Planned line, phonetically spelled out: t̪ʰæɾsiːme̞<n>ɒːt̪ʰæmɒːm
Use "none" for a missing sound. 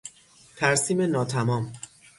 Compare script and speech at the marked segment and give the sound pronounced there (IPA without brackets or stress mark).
n